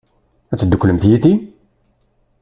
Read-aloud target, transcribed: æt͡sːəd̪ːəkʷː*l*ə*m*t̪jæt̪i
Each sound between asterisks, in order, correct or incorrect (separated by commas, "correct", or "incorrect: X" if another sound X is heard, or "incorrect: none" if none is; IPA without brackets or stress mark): correct, correct